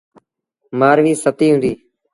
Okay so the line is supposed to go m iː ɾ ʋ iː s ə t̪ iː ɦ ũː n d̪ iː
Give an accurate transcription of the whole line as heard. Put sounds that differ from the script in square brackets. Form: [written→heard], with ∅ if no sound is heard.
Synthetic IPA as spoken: m [iː→aː] ɾ ʋ iː s ə t̪ iː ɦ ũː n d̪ iː